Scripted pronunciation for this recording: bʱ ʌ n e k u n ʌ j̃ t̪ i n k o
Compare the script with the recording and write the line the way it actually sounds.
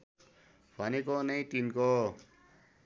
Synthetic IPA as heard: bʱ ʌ n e k o n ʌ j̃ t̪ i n k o